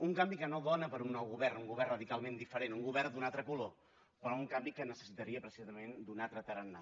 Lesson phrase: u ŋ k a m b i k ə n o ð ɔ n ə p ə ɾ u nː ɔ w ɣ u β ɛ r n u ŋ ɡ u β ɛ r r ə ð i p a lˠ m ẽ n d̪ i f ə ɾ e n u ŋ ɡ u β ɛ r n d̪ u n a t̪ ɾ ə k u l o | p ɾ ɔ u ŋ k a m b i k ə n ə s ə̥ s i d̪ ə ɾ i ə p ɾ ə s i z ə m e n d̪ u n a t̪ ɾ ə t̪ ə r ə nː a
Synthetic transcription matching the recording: u ŋ k a m b i k ə n o ð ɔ n ə p ə ɾ u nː ɔ w ɣ u β ɛ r n u ŋ ɡ u β ɛ r r ə ð i k a lˠ m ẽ n d̪ i f ə ɾ e n u ŋ ɡ u β ɛ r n d̪ u n a t̪ ɾ ə k u l o | p ɾ ɔ u ŋ k a m b i k ə n ə s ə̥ s i t̪ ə ɾ i ə p ɾ ə s i z ə m e n d̪ u n a t̪ ɾ ə t̪ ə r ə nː a